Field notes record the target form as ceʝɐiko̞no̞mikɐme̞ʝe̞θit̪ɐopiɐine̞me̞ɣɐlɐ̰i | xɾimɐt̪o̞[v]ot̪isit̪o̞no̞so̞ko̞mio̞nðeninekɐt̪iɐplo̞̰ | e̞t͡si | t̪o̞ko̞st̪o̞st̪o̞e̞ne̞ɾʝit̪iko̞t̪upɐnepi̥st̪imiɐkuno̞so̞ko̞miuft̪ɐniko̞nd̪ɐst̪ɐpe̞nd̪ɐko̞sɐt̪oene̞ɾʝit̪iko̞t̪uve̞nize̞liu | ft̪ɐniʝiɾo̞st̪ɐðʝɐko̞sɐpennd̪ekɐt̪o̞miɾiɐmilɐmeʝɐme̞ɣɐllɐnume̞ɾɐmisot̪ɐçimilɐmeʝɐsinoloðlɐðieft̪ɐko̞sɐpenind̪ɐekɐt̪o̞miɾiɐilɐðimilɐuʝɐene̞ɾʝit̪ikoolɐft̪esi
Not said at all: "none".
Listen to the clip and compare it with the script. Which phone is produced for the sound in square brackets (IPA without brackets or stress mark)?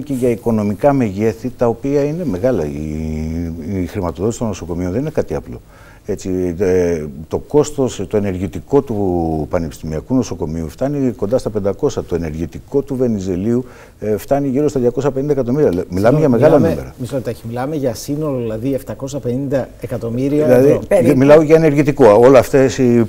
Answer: ð